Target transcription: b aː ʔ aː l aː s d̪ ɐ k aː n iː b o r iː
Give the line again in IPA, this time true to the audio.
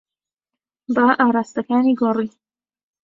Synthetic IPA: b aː ʔ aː ɾ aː s t̪ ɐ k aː n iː ɡ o r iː